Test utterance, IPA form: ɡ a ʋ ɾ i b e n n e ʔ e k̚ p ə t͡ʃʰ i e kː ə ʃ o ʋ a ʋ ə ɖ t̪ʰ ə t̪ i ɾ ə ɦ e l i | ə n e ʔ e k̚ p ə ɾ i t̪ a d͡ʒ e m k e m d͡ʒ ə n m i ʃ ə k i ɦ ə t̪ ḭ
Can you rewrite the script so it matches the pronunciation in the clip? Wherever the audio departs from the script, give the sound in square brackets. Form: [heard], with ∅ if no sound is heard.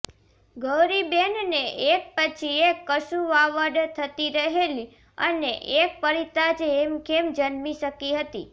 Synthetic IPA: ɡ [ə] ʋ ɾ i b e n n e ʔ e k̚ p ə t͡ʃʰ i e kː ə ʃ [u] ʋ a ʋ ə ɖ t̪ʰ ə t̪ i ɾ ə ɦ e l i | ə n e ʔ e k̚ p ə ɾ i t̪ a d͡ʒ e m k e m d͡ʒ ə n m i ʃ ə k i ɦ ə t̪ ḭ